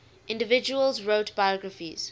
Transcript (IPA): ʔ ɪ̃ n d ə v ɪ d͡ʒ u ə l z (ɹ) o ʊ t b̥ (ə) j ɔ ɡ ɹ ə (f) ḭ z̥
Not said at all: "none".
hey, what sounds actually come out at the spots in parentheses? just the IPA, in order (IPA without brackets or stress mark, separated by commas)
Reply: ɹ, a, f